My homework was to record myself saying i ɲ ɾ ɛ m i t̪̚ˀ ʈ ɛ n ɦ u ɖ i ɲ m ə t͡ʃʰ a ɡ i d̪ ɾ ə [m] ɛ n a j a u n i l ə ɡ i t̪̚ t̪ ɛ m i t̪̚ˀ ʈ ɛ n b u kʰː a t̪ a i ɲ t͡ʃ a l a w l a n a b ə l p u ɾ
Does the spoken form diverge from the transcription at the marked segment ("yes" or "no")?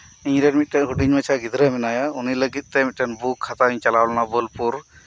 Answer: no